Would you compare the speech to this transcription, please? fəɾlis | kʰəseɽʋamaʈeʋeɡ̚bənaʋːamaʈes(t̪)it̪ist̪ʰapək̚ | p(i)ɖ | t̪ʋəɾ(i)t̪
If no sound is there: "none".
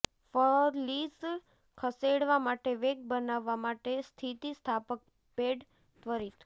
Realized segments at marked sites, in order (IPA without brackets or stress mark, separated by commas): t̪ʰ, e, i